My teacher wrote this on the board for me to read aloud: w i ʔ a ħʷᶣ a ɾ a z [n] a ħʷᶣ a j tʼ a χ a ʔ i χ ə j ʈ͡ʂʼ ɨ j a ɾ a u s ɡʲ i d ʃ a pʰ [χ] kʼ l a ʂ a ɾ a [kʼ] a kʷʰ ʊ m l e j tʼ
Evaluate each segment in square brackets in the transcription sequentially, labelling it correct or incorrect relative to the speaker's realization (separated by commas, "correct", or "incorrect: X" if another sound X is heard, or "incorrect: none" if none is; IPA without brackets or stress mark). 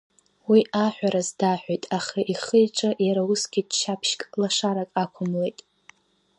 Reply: incorrect: d, incorrect: ʃ, correct